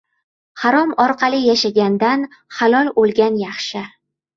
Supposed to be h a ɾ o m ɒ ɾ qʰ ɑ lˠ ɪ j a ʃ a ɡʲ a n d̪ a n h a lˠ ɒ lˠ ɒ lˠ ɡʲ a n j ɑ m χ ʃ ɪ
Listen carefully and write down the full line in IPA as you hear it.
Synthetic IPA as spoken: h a ɾ ɒ m ɒ ɾ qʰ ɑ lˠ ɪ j a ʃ a ɡʲ a n d̪ a n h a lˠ ɒ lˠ o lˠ ɡʲ a n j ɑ χ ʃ ɪ